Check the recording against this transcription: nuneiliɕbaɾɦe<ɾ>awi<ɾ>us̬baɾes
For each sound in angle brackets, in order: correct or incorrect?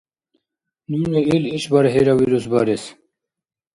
correct, correct

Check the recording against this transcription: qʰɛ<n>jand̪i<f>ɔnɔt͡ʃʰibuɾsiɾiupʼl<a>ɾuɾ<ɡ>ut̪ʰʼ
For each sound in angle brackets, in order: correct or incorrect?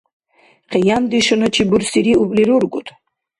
incorrect: none, incorrect: ʃ, incorrect: i, correct

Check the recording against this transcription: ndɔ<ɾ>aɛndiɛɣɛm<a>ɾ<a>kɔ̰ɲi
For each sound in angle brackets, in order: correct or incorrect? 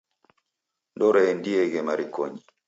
correct, correct, incorrect: i

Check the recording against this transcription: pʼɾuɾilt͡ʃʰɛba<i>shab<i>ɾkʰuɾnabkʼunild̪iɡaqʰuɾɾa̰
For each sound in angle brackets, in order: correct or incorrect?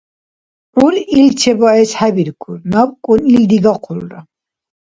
incorrect: ɛ, correct

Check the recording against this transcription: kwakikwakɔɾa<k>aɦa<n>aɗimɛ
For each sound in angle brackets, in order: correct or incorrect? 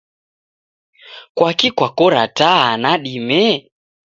incorrect: t, correct

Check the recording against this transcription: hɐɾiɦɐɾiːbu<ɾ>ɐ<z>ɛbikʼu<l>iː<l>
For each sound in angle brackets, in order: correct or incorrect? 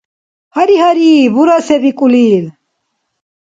correct, incorrect: s, correct, correct

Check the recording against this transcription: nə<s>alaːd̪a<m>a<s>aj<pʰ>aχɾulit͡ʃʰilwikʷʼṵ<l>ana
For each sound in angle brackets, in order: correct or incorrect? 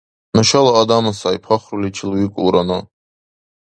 incorrect: ʃ, correct, correct, correct, incorrect: ɾ

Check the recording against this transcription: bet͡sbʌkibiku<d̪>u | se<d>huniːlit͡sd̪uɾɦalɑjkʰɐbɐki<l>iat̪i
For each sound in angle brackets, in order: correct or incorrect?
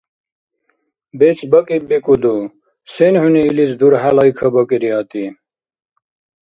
correct, incorrect: n, incorrect: ɾ

